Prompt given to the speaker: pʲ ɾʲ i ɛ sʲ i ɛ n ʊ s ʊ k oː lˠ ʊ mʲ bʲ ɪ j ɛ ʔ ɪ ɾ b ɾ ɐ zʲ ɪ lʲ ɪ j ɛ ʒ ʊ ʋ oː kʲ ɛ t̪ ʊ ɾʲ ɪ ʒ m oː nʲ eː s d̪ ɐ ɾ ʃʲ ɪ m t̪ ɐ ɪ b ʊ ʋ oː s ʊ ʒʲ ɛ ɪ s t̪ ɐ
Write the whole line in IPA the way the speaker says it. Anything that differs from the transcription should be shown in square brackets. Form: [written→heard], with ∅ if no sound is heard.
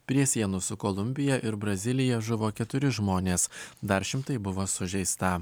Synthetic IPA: pʲ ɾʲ i ɛ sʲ i ɛ n ʊ s ʊ k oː lˠ ʊ mʲ bʲ ɪ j ɛ ʔ ɪ ɾ b ɾ ɐ zʲ ɪ lʲ ɪ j ɛ ʒ ʊ ʋ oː kʲ ɛ t̪ ʊ ɾʲ ɪ ʒ m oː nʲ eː s d̪ ɐ ɾ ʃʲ ɪ m t̪ ɐ ɪ b ʊ ʋ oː s ʊ ʒʲ ɛ ɪ s t̪ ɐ